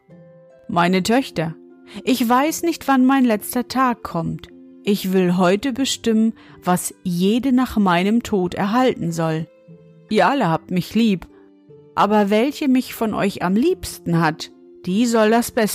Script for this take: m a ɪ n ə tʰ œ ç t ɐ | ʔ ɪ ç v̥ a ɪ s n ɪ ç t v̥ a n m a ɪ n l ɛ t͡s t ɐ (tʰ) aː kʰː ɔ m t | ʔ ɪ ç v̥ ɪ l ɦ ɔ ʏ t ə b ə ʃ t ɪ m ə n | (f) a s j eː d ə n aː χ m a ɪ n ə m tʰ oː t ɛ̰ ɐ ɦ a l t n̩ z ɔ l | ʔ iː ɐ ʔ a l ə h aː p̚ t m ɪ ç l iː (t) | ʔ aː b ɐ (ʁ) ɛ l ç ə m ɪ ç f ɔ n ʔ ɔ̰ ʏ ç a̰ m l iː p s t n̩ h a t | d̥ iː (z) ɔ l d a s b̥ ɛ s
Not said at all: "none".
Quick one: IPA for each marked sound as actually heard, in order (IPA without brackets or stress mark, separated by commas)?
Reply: tʰ, v, p, v, z